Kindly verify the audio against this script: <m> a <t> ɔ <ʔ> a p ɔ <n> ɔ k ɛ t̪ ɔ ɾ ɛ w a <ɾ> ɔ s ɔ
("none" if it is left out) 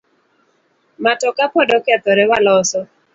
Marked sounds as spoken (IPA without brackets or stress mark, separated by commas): m, t, k, d, l